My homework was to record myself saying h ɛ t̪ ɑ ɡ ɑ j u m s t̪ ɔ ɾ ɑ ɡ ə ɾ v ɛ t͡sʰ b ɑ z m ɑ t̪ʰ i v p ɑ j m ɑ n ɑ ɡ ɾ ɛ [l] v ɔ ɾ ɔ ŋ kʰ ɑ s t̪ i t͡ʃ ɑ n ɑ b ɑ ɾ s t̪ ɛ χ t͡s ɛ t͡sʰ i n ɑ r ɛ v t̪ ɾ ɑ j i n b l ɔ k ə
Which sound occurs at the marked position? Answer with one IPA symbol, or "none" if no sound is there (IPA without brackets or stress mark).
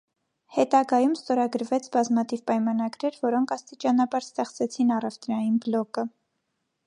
ɾ